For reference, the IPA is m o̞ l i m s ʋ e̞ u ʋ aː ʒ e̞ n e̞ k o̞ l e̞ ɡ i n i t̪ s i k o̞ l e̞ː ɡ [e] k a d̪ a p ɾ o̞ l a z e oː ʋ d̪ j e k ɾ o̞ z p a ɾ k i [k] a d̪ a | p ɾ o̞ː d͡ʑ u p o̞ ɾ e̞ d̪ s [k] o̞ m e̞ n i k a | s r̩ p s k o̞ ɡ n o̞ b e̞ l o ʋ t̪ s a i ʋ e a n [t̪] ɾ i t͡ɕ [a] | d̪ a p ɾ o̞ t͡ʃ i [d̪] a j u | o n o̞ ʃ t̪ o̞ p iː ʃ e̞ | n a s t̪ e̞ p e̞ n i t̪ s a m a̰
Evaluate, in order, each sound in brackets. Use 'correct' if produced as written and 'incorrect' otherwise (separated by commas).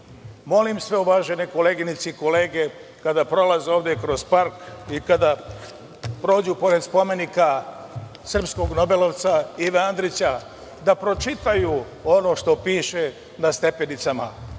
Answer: correct, correct, incorrect, incorrect, correct, incorrect